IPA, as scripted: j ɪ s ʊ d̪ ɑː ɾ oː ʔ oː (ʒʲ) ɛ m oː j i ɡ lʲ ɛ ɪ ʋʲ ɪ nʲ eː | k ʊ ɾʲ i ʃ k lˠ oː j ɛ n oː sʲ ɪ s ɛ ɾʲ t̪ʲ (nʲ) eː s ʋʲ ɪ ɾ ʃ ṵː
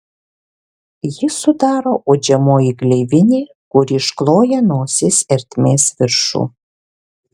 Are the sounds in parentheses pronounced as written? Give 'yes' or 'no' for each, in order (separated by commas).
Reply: no, no